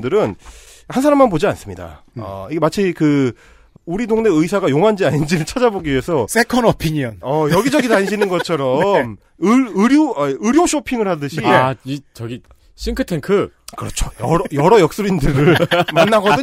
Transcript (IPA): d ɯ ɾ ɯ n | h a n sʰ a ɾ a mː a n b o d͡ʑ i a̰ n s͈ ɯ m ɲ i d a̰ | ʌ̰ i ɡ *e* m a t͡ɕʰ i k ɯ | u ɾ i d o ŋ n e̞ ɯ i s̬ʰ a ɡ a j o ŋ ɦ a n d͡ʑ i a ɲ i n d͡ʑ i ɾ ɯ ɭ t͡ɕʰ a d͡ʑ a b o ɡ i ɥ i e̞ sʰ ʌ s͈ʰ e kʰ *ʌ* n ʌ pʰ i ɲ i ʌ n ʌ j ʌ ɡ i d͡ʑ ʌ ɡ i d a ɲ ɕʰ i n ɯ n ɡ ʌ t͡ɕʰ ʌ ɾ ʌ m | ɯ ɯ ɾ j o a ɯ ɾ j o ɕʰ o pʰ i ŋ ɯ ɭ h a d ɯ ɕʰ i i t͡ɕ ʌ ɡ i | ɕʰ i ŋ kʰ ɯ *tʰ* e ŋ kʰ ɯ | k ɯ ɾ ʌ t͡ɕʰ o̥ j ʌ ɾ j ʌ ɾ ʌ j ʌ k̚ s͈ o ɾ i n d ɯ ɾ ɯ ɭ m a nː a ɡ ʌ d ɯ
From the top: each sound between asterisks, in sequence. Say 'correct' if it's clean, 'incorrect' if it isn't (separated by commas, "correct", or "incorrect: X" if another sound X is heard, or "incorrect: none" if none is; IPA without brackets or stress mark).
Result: correct, correct, correct